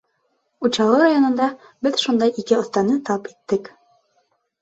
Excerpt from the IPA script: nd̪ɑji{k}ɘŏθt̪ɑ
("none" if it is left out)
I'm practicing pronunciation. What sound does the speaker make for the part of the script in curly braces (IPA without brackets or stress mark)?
k